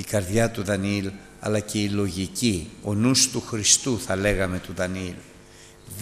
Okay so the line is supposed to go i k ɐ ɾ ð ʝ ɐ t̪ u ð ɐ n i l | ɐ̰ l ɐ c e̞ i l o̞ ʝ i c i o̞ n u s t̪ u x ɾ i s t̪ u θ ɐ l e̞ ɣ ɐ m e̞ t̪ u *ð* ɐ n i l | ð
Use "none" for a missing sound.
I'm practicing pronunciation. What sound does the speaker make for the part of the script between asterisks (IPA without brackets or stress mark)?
ð